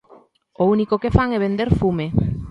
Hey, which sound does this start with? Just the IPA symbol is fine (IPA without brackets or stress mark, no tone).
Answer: o